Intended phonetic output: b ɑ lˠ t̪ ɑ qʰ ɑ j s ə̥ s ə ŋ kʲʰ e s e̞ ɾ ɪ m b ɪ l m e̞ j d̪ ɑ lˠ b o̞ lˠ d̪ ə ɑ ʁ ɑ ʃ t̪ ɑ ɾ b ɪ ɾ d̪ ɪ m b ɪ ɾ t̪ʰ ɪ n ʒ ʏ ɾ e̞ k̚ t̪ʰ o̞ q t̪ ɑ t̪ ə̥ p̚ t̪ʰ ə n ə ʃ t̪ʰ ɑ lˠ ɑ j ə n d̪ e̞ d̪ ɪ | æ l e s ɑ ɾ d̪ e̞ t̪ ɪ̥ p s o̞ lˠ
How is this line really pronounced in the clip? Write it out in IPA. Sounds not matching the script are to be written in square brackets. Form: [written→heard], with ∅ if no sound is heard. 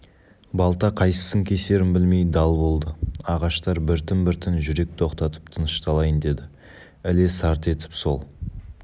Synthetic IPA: b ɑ lˠ t̪ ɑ qʰ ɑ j s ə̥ s ə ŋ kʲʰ e s e̞ ɾ ɪ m b ɪ l m e̞ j d̪ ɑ lˠ b o̞ lˠ d̪ ə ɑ ʁ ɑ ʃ t̪ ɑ ɾ b ɪ ɾ [d̪→t̪] ɪ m b ɪ ɾ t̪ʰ ɪ n ʒ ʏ ɾ e̞ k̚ t̪ʰ o̞ q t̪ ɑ t̪ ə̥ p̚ t̪ʰ ə n ə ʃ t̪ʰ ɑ lˠ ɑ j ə n d̪ e̞ d̪ ɪ | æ l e s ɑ ɾ [d̪→t̪] e̞ t̪ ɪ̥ p s o̞ lˠ